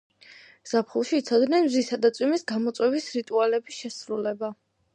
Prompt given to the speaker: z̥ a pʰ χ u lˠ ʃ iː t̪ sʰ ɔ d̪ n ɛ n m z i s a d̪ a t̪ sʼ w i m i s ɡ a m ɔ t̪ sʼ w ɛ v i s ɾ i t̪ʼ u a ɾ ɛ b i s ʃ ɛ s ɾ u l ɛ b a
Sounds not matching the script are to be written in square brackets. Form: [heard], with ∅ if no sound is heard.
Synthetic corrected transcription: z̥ a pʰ χ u lˠ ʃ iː t̪ sʰ ɔ d̪ n ɛ n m z i s a d̪ a t̪ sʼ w i m i s ɡ a m ɔ t̪ sʼ w ɛ v i s ɾ i t̪ʼ u a [l] ɛ b i s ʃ ɛ s ɾ u l ɛ b a